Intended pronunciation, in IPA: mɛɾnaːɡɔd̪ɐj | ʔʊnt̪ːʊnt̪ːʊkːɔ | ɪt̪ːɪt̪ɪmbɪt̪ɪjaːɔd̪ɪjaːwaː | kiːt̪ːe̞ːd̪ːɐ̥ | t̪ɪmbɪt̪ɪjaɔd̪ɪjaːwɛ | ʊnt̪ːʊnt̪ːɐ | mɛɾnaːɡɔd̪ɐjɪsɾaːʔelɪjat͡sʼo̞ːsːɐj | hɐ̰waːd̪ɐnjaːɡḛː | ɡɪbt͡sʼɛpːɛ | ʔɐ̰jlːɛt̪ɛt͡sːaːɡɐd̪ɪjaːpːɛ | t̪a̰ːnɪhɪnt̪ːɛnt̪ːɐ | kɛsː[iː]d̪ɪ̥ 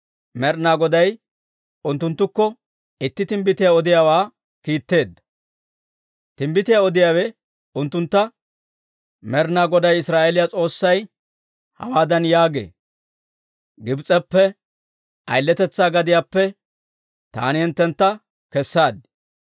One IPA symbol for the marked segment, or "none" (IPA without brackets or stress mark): aː